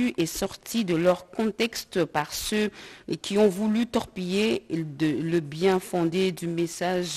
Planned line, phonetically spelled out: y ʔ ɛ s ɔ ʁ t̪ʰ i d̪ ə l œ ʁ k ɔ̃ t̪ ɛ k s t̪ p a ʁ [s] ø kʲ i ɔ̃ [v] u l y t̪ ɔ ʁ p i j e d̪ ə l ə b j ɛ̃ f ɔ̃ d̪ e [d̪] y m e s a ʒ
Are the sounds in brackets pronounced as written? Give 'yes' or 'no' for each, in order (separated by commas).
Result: yes, yes, yes